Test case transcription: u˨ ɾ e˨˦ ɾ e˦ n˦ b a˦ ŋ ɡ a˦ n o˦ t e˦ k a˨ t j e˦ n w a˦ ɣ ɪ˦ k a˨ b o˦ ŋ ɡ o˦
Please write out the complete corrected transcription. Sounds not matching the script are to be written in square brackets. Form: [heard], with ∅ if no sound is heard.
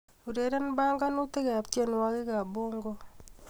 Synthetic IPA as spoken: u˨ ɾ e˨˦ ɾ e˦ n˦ b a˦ ŋ ɡ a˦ n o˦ t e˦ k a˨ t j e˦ n w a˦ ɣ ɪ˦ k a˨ b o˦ ŋ ɡ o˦